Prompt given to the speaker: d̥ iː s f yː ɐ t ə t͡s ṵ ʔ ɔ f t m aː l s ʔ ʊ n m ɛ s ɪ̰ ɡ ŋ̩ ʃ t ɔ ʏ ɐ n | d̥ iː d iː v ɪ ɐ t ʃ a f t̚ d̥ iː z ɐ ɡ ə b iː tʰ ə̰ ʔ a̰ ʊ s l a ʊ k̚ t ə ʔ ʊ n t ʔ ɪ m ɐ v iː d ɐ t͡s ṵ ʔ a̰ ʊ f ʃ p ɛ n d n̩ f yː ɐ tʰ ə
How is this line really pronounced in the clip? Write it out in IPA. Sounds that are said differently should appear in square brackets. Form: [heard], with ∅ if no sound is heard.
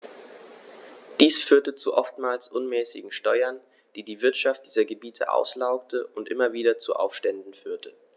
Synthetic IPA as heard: d̥ iː s f yː ɐ t ə t͡s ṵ ʔ ɔ f t m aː l s ʔ ʊ n m [ɛː] s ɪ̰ ɡ ŋ̩ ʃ t ɔ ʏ ɐ n | d̥ iː d iː v ɪ ɐ t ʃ a f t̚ d̥ iː z ɐ ɡ ə b iː tʰ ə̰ ʔ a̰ ʊ s l a ʊ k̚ t ə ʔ ʊ n t ʔ ɪ m ɐ v iː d ɐ t͡s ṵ ʔ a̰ ʊ f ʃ [t] ɛ n d n̩ f yː ɐ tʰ ə